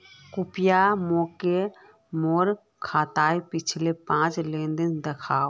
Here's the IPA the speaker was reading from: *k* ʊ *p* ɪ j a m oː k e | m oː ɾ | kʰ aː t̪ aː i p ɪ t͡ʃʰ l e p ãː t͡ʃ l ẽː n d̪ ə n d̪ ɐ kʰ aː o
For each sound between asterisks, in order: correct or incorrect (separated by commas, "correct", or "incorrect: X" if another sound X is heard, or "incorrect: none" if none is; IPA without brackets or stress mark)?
correct, correct